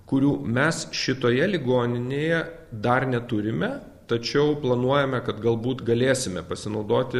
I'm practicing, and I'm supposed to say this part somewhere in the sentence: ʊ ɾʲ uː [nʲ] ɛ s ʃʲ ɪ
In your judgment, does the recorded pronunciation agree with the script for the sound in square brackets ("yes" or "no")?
no